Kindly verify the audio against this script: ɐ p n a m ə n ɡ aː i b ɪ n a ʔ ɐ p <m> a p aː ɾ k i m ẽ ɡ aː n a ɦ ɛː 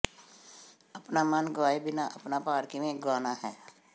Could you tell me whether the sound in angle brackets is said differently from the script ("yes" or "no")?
yes